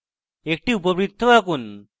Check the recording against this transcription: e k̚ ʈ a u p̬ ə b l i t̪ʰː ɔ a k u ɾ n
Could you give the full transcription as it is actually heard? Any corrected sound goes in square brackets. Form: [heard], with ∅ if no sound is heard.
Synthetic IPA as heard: e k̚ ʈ [i] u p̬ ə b [ɾ] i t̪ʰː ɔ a k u [∅] n